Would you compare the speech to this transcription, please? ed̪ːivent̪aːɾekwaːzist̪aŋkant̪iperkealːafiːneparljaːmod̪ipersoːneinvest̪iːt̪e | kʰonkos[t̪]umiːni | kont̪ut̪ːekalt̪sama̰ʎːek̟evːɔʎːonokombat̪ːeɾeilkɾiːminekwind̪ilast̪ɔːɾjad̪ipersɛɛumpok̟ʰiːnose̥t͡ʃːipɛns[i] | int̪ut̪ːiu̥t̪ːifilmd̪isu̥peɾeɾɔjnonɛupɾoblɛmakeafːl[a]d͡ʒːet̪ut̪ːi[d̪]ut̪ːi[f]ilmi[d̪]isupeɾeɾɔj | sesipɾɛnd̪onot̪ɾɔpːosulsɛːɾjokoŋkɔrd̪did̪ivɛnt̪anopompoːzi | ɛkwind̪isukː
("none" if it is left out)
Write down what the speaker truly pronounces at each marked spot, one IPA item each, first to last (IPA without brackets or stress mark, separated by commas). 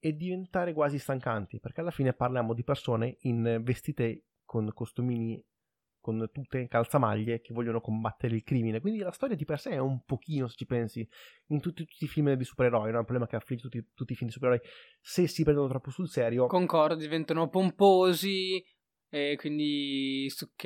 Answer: t̪, i, i, t̪, f, d̪